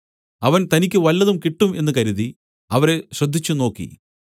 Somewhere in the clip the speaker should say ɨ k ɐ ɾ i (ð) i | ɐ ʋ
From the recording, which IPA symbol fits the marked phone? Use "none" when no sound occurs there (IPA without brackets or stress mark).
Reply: ð